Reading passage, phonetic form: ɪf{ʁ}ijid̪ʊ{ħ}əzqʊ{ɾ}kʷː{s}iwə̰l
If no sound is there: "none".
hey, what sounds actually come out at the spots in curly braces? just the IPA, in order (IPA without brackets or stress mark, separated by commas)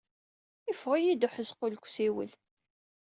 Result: ʁ, ħ, l, s